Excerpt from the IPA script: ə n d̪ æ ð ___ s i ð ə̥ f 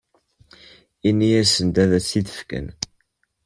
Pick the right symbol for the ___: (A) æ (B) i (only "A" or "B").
A